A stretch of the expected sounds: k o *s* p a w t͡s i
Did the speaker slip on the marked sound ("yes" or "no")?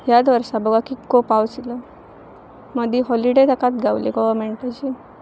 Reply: yes